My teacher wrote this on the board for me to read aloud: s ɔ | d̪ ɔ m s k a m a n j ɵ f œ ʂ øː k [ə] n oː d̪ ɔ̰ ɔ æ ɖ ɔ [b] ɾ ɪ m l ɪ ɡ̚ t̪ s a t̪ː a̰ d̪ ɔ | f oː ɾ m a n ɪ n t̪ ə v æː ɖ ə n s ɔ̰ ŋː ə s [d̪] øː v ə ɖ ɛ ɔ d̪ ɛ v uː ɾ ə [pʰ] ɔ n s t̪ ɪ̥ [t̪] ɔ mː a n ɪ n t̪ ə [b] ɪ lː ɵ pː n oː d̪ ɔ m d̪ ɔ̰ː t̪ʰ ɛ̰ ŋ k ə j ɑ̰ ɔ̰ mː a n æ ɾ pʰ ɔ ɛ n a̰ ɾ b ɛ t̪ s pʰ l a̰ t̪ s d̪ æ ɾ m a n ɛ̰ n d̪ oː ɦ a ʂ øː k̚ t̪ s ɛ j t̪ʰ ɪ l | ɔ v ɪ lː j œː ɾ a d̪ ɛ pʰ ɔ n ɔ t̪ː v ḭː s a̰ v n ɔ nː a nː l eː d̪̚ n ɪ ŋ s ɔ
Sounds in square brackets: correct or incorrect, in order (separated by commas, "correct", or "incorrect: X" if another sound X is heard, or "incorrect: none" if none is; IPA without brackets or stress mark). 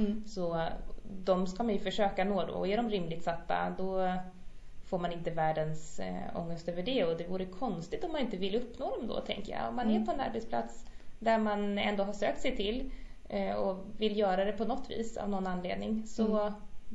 incorrect: a, incorrect: m, incorrect: t̪, incorrect: kʰ, correct, incorrect: v